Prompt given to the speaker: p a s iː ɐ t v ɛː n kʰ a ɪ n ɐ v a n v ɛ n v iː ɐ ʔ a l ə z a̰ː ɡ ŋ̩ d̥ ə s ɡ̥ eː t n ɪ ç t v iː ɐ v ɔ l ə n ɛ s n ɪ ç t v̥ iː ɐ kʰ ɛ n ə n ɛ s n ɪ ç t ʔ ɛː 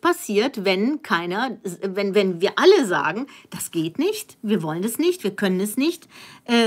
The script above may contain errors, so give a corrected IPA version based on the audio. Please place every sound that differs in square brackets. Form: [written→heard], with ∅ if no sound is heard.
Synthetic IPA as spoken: p a s iː ɐ t v [ɛː→ɛ] n kʰ a ɪ n ɐ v [a→ɛ] n v ɛ n v iː ɐ ʔ a l ə z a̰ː ɡ ŋ̩ d̥ [ə→a] s ɡ̥ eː t n ɪ ç t v iː ɐ v ɔ l ə n ɛ s n ɪ ç t v̥ iː ɐ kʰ [ɛ→œ] n ə n ɛ s n ɪ ç t ʔ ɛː